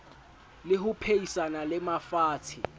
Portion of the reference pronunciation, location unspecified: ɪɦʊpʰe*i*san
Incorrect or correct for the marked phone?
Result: correct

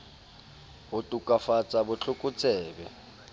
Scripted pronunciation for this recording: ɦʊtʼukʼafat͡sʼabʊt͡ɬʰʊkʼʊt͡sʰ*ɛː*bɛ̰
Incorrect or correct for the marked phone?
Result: correct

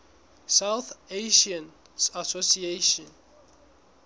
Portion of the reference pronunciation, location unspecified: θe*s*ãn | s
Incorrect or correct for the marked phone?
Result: incorrect: ʃ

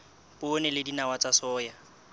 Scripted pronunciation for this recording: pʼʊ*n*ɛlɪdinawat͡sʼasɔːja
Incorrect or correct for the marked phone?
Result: correct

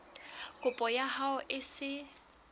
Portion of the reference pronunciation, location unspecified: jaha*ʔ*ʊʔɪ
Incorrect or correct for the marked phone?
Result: incorrect: none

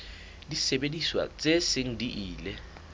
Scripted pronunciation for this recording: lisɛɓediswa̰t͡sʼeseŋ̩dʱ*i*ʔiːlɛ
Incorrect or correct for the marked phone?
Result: correct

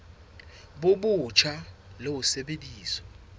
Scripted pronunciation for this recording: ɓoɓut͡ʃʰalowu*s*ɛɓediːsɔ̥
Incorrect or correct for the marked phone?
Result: correct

